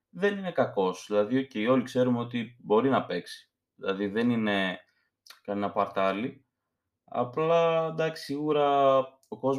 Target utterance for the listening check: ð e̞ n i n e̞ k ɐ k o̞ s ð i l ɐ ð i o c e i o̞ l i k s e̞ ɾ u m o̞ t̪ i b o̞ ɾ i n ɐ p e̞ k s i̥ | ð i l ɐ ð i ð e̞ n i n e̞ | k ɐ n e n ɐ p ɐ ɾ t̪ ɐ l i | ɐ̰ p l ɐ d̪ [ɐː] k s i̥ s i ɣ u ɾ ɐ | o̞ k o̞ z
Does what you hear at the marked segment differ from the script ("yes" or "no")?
yes